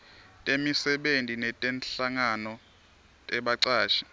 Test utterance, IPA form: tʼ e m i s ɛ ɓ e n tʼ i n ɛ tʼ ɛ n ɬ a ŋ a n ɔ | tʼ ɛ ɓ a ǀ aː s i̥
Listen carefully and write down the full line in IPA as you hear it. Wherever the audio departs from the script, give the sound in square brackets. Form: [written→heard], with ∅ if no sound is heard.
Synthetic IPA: tʼ e m i s ɛ ɓ e n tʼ i n ɛ tʼ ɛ n ɬ a ŋ a n ɔ | tʼ ɛ ɓ a ǀ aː [s→ʃ] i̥